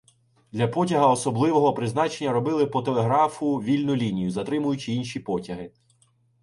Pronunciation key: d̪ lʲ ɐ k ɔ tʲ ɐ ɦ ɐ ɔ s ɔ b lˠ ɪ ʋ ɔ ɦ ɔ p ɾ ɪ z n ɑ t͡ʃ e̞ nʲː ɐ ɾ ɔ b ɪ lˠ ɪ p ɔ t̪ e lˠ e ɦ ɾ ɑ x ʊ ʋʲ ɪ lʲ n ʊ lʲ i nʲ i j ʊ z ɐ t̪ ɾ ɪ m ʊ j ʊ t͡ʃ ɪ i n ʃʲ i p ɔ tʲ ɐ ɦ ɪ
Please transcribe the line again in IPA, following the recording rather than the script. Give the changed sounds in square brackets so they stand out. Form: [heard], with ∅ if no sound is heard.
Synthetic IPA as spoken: d̪ lʲ ɐ [p] ɔ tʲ ɐ ɦ ɐ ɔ s ɔ b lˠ ɪ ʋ ɔ ɦ ɔ p ɾ ɪ z n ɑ t͡ʃ e̞ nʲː ɐ ɾ ɔ b ɪ lˠ ɪ p ɔ t̪ e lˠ e ɦ ɾ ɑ [f] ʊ ʋʲ [i] lʲ n ʊ lʲ i nʲ i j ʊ z ɐ t̪ ɾ ɪ m ʊ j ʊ t͡ʃ ɪ i n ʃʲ i p ɔ tʲ ɐ ɦ ɪ